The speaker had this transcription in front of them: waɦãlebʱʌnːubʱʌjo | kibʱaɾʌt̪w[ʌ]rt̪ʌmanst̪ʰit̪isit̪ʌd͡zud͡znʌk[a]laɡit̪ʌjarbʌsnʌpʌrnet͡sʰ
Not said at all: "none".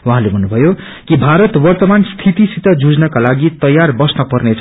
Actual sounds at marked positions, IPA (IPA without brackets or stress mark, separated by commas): ʌ, a